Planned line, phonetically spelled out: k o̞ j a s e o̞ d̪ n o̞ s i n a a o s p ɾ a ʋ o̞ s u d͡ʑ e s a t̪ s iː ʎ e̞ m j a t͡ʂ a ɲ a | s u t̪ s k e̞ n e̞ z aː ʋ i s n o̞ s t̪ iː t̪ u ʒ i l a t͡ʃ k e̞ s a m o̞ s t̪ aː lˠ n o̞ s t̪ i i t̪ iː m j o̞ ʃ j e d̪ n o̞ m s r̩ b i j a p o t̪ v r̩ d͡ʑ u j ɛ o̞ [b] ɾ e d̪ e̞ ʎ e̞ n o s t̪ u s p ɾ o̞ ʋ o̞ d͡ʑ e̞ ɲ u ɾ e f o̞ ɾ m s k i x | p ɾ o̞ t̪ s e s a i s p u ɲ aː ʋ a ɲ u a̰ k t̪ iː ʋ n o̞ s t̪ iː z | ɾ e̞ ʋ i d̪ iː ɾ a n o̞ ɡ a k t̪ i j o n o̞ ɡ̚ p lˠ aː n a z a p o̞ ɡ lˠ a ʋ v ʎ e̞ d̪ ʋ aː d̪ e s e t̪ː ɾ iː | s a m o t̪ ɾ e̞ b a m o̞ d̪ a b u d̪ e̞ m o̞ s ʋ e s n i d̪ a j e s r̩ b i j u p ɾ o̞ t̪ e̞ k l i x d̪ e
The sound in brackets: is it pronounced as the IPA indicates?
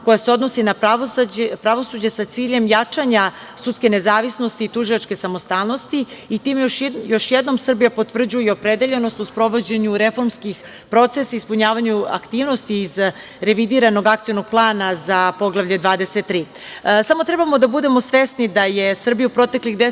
no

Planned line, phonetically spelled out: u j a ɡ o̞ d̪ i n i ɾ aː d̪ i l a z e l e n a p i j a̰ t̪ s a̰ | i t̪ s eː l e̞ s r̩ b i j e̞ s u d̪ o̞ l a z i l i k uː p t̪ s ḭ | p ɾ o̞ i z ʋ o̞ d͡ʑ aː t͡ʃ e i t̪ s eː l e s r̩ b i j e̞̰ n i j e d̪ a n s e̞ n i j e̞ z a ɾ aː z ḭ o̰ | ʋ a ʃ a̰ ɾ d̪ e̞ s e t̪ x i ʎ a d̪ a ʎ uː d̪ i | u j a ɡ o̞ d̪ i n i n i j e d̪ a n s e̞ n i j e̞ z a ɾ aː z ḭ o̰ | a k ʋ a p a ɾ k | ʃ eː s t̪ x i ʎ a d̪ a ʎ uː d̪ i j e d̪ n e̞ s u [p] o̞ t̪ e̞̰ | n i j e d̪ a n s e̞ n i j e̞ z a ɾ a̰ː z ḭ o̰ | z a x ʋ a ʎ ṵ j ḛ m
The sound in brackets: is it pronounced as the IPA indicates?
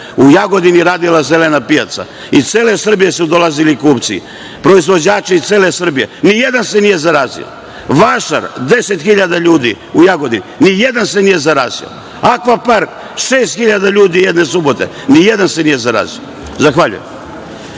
no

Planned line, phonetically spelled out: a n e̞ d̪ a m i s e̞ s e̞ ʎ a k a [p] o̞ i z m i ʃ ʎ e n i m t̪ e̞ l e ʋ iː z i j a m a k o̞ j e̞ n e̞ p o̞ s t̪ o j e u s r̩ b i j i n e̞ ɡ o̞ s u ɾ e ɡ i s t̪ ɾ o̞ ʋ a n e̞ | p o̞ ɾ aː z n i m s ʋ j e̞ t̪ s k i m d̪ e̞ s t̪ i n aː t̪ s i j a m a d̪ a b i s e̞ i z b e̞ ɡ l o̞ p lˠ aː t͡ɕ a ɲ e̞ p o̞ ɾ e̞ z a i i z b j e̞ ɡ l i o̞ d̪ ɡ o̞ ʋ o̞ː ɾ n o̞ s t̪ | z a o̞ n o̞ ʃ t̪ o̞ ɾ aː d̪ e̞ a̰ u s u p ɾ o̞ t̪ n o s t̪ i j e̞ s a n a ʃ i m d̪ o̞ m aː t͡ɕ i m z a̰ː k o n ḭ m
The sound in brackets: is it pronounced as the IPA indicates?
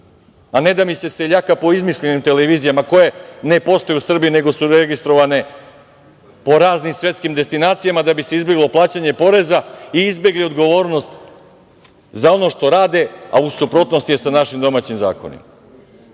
yes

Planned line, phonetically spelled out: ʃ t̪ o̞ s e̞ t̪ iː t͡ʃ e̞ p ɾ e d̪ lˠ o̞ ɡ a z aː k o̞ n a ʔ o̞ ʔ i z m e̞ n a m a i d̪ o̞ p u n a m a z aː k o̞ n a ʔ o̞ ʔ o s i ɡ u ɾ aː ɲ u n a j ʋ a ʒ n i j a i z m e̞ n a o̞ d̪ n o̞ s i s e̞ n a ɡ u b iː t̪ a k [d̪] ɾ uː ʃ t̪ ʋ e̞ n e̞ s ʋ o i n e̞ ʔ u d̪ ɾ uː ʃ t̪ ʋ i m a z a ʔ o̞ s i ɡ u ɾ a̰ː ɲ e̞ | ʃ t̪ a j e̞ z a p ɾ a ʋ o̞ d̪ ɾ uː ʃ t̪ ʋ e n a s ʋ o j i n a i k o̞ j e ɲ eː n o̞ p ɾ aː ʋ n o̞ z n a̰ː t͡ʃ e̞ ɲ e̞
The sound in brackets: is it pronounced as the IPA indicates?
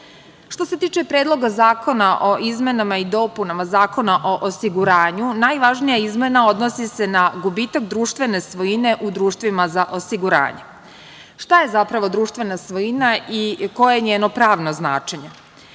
yes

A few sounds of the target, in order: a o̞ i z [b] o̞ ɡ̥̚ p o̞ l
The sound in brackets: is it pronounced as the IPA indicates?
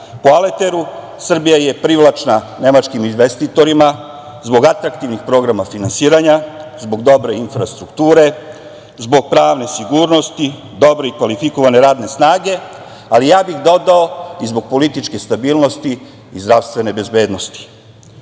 yes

